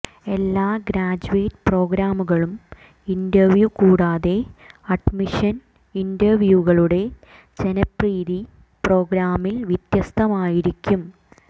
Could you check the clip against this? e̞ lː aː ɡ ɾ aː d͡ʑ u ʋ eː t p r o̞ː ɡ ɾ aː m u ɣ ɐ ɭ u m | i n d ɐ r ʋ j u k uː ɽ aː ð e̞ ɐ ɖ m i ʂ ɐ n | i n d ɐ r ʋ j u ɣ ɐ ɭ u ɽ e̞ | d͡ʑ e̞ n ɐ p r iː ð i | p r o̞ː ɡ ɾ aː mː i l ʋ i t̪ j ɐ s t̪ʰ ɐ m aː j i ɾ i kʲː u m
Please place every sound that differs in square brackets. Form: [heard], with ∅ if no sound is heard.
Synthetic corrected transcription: e̞ lː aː ɡ ɾ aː d͡ʑ u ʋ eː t p r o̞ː ɡ ɾ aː m u ɣ ɐ ɭ u m | i n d ɐ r ʋ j u k uː ɽ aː ð e̞ ɐ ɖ m i ʂ ɐ n | i n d ɐ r ʋ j u ɣ ɐ ɭ u ɽ e̞ | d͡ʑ e̞ n ɐ p r iː ð i | p r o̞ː ɡ ɾ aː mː i l ʋ i t̪ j ɐ s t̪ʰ ɐ m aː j i ɾ i kʲː u m

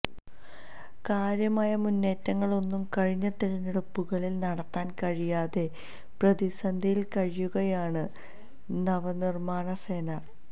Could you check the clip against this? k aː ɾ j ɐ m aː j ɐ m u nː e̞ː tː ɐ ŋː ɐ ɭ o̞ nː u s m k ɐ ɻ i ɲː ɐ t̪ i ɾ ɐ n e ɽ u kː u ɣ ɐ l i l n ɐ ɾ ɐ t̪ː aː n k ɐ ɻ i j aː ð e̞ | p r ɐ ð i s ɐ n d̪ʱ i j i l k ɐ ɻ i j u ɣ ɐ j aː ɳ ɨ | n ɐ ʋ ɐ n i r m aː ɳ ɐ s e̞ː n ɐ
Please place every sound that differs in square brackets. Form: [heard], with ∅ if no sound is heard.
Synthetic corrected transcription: k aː ɾ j ɐ m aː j ɐ m u nː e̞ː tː ɐ ŋː ɐ ɭ o̞ nː u [∅] m k ɐ ɻ i ɲː ɐ t̪ i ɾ ɐ n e ɽ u [pː] u ɣ ɐ [ɭ] i l n ɐ [ɽ] ɐ t̪ː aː n k ɐ ɻ i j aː ð e̞ | p r ɐ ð i s ɐ n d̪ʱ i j i l k ɐ ɻ i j u ɣ ɐ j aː ɳ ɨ | n ɐ ʋ ɐ n i r m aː ɳ ɐ s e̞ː n ɐ

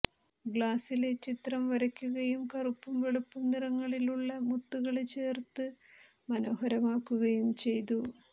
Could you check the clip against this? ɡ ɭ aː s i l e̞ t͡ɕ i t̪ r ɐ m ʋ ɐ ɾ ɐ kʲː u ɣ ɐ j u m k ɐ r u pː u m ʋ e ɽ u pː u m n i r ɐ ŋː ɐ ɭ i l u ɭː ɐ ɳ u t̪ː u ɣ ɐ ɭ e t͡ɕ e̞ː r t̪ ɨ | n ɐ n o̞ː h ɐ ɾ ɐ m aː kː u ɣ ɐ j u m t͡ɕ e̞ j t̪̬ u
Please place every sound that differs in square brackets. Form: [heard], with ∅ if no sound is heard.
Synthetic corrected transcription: ɡ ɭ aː s i l e̞ t͡ɕ i t̪ r ɐ m ʋ ɐ ɾ ɐ kʲː u ɣ ɐ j u m k ɐ r u pː u m ʋ e [ɭ] u pː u m n i r ɐ ŋː ɐ ɭ i l u ɭː ɐ [m] u t̪ː u ɣ ɐ ɭ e t͡ɕ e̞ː r t̪ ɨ | [m] ɐ n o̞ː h ɐ ɾ ɐ m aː kː u ɣ ɐ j u m t͡ɕ e̞ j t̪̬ u

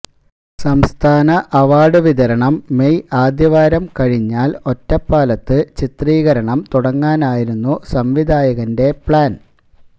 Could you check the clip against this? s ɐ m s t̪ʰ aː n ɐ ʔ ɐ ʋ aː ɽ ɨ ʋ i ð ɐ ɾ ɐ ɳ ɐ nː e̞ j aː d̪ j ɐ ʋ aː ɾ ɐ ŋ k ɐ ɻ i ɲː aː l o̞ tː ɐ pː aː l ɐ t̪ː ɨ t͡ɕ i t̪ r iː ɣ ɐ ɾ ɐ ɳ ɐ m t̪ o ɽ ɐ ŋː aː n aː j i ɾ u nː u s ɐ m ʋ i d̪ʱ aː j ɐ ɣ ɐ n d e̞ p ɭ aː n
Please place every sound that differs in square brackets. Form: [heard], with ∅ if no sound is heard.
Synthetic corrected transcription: s ɐ m s t̪ʰ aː n ɐ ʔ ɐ ʋ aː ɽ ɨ ʋ i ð ɐ ɾ ɐ ɳ ɐ [mː] e̞ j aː d̪ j ɐ ʋ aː ɾ ɐ [m] k ɐ ɻ i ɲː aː l o̞ tː ɐ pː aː l ɐ t̪ː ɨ t͡ɕ i t̪ r iː ɣ ɐ ɾ ɐ ɳ ɐ m t̪ [u] ɽ ɐ ŋː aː n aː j i ɾ u nː u s ɐ m ʋ i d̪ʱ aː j ɐ ɣ ɐ n d e̞ p ɭ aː n

